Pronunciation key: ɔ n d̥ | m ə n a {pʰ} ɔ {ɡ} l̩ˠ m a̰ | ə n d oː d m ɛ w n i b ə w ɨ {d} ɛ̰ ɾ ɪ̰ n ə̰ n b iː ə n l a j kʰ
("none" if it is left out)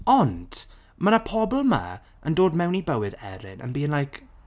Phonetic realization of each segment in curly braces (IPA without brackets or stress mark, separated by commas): pʰ, b, d